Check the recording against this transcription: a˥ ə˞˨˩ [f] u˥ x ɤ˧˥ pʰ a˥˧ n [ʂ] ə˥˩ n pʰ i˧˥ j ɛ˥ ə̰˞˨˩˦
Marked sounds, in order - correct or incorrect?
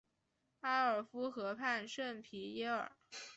correct, correct

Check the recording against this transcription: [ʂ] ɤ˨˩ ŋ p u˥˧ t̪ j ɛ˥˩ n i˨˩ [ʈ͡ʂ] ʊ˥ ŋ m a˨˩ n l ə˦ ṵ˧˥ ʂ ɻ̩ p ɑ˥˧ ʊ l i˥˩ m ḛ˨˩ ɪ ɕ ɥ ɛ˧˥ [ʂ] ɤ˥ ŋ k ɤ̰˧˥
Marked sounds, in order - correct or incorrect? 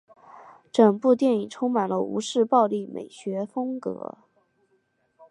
incorrect, incorrect, incorrect

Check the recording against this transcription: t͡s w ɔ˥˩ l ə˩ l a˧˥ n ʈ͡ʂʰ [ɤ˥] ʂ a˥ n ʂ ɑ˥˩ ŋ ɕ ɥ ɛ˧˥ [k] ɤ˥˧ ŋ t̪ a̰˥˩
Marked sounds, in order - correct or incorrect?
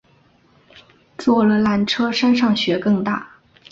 correct, correct

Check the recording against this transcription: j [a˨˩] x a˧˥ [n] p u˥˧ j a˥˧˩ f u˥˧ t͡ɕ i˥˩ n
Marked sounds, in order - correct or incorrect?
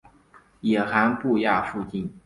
incorrect, correct

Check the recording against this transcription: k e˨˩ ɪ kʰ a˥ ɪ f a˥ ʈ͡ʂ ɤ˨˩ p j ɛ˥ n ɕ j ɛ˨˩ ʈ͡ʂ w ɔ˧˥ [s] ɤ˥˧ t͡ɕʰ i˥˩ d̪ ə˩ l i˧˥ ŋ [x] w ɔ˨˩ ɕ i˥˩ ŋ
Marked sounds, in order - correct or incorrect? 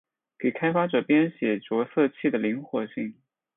correct, correct

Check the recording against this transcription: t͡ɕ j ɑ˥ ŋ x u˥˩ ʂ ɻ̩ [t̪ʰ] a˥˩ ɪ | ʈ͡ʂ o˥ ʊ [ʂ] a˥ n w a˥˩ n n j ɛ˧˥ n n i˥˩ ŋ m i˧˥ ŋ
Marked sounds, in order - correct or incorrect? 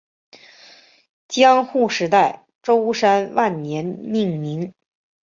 incorrect, correct

